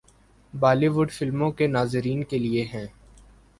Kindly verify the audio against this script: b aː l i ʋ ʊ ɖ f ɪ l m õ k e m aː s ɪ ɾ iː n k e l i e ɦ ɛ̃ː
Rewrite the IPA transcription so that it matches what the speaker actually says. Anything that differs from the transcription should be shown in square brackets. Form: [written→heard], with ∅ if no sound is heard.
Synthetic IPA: b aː l i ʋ ʊ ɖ f ɪ l m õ k e [m→n] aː [s→z] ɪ ɾ iː n k e l i e ɦ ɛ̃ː